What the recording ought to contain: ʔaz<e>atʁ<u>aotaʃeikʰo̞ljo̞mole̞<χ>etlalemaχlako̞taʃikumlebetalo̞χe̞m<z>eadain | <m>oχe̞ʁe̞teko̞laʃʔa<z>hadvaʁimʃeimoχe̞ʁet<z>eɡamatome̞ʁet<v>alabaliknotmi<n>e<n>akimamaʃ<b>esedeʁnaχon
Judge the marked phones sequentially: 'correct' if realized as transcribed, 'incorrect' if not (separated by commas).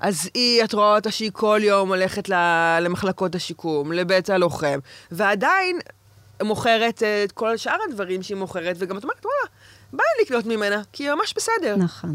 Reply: incorrect, incorrect, correct, incorrect, correct, incorrect, incorrect, incorrect, incorrect, correct, correct